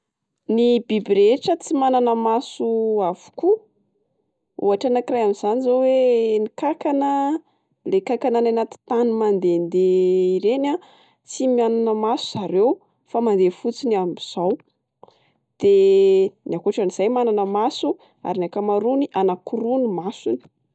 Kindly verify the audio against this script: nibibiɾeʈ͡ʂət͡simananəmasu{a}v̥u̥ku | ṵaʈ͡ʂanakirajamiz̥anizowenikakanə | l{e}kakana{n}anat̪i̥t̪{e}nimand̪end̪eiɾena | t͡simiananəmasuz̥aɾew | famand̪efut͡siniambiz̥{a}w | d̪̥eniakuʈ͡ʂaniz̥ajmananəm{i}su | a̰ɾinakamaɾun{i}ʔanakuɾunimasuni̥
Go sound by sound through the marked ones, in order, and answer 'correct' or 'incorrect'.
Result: correct, correct, correct, incorrect: a, correct, incorrect: a, correct

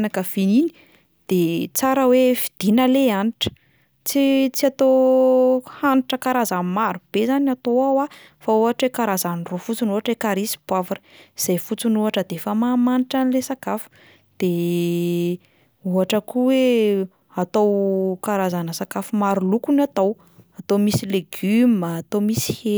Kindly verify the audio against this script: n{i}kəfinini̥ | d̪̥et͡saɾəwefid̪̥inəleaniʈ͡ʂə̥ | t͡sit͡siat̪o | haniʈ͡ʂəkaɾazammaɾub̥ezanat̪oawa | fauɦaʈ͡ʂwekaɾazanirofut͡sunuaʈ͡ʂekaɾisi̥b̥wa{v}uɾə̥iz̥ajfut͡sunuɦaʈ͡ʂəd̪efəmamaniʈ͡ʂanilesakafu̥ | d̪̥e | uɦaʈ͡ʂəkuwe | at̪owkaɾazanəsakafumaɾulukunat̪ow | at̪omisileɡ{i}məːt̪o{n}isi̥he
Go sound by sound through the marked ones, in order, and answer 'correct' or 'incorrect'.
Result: incorrect: a, correct, incorrect: y, incorrect: m

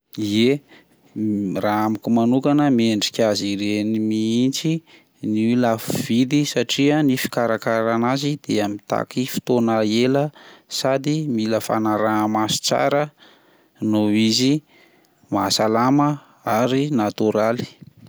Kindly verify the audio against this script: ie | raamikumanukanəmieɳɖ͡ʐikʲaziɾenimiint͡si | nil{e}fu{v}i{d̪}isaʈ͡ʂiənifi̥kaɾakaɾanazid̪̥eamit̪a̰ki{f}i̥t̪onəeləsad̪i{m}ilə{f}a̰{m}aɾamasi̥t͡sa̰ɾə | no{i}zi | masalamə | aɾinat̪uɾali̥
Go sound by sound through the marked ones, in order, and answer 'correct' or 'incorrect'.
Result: incorrect: a, correct, correct, correct, correct, correct, incorrect: n, correct

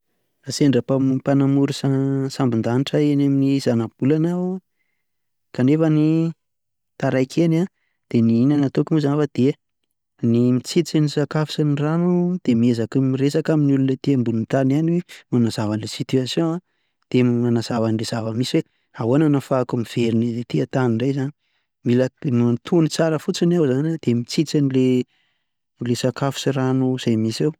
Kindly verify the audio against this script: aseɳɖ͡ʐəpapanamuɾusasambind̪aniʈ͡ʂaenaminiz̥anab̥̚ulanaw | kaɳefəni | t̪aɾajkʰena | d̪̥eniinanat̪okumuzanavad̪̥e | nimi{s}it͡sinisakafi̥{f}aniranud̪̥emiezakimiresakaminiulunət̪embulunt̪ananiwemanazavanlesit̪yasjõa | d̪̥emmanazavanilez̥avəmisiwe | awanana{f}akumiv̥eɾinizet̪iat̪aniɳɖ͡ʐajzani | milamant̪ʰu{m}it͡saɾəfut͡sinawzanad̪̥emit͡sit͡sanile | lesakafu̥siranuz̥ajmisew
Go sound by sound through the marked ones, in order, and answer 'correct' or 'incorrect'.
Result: incorrect: t͡s, incorrect: s, correct, incorrect: n

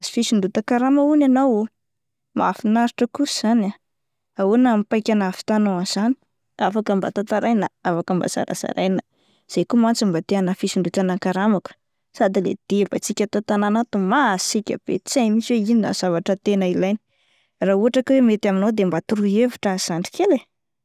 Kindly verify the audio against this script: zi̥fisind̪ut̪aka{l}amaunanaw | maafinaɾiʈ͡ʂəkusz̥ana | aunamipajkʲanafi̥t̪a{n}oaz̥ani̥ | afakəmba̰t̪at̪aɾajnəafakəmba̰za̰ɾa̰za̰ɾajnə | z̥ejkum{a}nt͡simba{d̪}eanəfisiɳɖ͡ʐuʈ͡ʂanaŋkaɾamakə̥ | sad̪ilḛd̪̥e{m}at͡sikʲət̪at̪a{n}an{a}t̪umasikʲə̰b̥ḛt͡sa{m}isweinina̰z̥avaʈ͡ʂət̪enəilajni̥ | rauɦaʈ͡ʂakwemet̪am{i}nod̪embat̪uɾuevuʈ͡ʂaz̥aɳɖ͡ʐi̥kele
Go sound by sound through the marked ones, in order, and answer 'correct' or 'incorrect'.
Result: incorrect: ɾ, correct, correct, incorrect: t̪, incorrect: b, correct, correct, correct, correct

